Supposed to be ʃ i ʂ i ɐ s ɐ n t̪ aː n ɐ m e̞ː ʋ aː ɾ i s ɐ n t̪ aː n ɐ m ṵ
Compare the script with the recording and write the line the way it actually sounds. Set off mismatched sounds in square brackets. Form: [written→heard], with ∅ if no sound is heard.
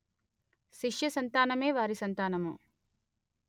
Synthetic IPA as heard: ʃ i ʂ [i→j] ɐ s ɐ n t̪ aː n ɐ m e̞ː ʋ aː ɾ i s ɐ n t̪ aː n ɐ m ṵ